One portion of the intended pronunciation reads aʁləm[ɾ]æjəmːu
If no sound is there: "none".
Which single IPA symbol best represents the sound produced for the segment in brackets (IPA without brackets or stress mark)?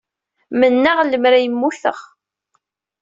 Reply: ɾ